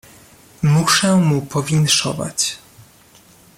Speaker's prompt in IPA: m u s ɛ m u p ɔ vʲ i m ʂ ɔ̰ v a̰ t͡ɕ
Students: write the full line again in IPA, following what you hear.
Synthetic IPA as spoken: m u ʂ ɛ m u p ɔ vʲ i n ʂ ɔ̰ v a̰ t͡ɕ